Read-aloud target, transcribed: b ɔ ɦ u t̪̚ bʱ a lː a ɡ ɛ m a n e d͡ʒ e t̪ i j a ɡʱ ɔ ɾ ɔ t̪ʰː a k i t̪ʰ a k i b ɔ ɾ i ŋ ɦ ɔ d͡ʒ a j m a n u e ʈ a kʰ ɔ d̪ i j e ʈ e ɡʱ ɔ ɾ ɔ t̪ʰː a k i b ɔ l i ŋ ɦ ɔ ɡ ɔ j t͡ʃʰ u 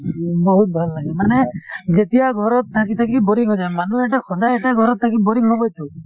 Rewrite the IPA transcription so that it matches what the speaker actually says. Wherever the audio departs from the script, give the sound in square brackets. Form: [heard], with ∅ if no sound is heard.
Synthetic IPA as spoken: b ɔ ɦ u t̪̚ bʱ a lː a ɡ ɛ m a n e d͡ʒ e t̪ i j a ɡʱ ɔ ɾ ɔ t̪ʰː a k i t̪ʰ a k i b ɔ ɾ i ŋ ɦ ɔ d͡ʒ a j m a n u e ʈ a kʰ ɔ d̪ [a] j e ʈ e ɡʱ ɔ ɾ ɔ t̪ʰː a k i b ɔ [ɾ] i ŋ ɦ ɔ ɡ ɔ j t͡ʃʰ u